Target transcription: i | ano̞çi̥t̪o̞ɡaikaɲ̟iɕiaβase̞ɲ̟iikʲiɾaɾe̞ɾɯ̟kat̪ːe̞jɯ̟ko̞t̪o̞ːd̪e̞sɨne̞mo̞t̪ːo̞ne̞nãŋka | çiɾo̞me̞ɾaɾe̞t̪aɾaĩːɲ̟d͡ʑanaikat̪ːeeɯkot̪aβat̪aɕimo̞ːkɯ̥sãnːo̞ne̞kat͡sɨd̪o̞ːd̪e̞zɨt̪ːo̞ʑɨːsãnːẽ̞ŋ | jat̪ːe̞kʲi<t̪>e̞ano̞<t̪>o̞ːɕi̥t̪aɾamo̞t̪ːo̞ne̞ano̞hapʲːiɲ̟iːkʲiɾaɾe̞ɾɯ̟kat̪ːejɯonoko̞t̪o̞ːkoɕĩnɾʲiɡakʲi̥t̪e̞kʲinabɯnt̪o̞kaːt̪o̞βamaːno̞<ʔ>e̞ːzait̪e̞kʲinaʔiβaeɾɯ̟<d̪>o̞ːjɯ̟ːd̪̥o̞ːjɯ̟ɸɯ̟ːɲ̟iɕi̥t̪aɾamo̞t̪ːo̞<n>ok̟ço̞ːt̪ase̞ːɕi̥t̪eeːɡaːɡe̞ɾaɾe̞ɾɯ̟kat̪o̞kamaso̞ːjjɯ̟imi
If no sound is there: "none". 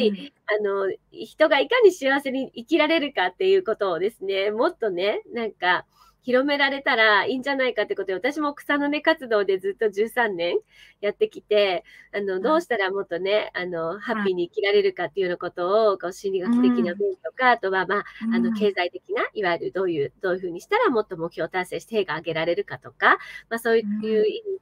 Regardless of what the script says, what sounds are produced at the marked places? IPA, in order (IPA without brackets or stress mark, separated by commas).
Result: t̪, d̪, k, d̪, m